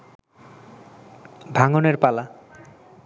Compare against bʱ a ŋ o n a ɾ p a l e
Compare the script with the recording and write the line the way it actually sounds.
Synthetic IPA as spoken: bʱ a ŋ o n e ɾ p a l a